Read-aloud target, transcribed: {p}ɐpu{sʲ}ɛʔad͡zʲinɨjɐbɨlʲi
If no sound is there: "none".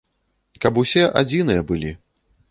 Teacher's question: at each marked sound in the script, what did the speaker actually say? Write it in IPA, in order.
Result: k, sʲ

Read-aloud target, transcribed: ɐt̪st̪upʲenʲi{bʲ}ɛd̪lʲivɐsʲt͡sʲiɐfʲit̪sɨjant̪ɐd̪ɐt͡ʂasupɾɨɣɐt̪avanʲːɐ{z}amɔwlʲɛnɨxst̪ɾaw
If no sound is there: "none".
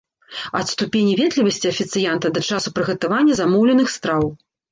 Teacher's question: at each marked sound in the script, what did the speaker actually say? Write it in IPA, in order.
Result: vʲ, z

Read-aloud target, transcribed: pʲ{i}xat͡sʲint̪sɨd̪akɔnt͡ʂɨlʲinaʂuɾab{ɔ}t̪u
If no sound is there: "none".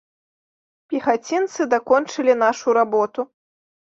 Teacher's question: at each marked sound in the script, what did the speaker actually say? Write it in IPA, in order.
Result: i, ɔ

